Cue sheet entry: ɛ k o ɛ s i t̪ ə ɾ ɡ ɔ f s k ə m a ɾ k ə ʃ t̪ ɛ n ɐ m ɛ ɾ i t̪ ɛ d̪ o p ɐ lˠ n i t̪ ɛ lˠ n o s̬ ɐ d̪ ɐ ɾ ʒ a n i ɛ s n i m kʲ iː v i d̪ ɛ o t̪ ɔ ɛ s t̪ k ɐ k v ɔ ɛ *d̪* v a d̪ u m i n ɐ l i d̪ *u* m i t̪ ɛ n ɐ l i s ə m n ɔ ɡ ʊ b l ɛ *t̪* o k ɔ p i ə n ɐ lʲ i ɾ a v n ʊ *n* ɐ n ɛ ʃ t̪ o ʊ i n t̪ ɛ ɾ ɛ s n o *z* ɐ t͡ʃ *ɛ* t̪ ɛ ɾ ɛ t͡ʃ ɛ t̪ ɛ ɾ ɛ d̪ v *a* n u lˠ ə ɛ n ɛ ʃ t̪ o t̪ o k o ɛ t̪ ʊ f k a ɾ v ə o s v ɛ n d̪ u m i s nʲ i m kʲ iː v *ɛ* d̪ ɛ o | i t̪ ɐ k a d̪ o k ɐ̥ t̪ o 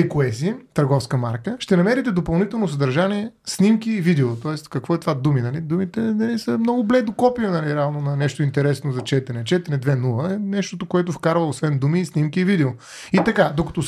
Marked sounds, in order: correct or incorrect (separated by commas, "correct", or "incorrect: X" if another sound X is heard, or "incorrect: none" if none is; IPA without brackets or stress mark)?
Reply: incorrect: t̪, correct, incorrect: d̪, correct, correct, correct, incorrect: ɛ, incorrect: i